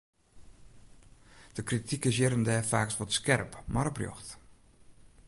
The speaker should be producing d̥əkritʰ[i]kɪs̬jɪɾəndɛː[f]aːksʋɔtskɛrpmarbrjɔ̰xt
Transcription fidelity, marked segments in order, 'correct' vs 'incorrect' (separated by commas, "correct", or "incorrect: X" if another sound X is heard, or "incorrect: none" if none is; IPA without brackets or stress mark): correct, correct